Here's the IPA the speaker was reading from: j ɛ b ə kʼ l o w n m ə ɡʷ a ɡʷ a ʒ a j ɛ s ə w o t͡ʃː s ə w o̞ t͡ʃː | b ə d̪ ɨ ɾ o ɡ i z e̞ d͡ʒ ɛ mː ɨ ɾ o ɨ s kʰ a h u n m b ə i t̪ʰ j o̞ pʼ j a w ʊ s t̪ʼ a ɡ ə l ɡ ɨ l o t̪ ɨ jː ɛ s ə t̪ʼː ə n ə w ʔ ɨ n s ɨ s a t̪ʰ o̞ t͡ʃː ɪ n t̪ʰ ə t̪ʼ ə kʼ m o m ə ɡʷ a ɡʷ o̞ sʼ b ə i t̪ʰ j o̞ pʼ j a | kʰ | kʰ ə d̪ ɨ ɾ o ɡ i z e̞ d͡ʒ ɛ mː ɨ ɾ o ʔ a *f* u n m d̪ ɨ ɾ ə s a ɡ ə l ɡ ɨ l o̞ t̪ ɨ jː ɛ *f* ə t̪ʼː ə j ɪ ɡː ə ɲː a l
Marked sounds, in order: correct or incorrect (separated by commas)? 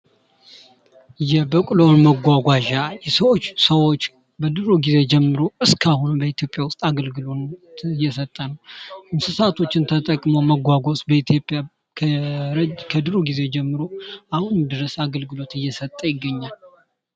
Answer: incorrect, incorrect